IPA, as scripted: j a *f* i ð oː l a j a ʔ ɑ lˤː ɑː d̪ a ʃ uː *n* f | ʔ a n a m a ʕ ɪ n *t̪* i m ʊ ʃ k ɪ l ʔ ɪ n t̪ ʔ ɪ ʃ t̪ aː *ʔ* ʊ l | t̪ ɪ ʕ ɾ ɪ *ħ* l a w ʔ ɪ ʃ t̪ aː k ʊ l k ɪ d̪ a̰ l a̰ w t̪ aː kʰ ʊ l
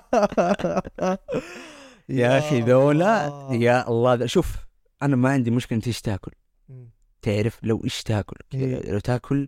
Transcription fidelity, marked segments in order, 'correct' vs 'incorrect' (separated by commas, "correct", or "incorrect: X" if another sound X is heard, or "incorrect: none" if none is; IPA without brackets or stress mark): incorrect: x, incorrect: none, incorrect: d̪, incorrect: k, incorrect: f